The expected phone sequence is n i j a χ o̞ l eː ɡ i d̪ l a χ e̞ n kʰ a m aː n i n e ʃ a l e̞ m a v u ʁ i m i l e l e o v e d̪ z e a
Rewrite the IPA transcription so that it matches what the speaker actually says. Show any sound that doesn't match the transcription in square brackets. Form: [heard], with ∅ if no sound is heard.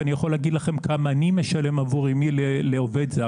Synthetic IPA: n i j a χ o̞ l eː ɡ i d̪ l a χ e̞ [m] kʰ a m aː n i [m] e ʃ a l e̞ m a v u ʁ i m i l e l e o v e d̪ z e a